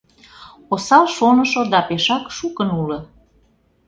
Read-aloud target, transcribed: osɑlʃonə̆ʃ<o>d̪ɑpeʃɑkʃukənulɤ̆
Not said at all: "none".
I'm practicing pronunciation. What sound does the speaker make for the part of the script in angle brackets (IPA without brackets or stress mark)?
o